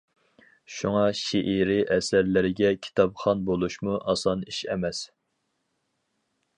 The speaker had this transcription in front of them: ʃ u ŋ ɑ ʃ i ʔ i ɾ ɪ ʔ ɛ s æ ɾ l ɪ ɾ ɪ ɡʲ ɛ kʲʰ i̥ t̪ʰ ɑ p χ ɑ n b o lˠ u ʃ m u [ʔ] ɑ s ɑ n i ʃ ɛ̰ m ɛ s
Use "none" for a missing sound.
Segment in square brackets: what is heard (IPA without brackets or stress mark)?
ʔ